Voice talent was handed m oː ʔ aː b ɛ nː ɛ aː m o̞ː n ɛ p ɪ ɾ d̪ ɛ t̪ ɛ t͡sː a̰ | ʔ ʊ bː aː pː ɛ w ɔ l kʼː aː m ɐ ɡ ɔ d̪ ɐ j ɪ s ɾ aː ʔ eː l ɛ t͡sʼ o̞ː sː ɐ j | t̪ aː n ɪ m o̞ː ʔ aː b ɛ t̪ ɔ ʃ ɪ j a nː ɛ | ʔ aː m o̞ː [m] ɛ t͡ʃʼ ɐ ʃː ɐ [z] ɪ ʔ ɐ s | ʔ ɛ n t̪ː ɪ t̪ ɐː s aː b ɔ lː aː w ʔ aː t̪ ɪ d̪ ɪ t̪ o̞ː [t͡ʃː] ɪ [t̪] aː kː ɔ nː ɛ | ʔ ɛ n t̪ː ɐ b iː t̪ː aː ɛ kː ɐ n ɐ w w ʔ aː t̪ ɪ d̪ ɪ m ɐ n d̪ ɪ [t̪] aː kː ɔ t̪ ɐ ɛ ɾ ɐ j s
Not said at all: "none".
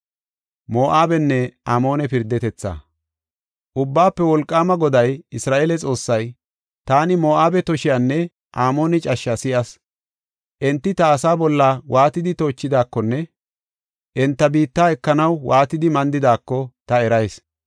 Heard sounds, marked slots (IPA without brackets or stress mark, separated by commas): n, s, t͡ʃː, d̪, d̪